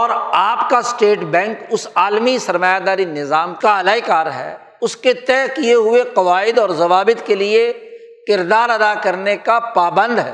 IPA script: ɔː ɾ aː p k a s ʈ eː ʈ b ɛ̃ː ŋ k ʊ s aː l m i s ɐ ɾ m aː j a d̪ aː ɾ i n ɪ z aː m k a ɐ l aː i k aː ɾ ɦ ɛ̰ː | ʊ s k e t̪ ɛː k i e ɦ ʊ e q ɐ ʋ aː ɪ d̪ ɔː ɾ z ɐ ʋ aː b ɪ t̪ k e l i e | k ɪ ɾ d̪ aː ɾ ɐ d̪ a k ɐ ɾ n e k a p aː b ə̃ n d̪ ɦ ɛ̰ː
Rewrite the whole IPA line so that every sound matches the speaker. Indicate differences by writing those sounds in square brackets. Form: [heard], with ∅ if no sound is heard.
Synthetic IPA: ɔː ɾ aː p k a s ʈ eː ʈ b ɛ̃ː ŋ k ʊ s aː l m i s ɐ ɾ m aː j a d̪ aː ɾ i n ɪ z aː m k a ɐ l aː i k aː ɾ ɦ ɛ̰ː | ʊ s k e t̪ ɛː k i e ɦ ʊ e q ɐ ʋ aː ɪ d̪ ɔː ɾ z ɐ ʋ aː b ɪ t̪ k e l i e | k ɪ ɾ d̪ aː ɾ ɐ d̪ a k ɐ ɾ n e k a p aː b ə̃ n d̪ ɦ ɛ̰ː